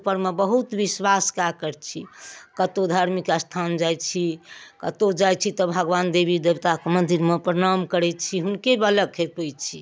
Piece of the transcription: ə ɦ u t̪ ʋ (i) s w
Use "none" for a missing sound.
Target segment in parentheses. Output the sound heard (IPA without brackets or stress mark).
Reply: i